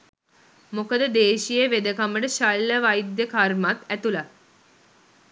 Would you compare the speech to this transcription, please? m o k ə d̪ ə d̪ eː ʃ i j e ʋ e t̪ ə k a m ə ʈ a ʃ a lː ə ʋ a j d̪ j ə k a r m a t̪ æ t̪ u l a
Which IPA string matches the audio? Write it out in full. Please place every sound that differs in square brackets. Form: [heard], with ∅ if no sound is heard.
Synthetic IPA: m o k ə d̪ ə d̪ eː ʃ i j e ʋ e [d̪] ə k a m ə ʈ [ə] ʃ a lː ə ʋ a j d̪ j ə k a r m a t̪ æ t̪ u l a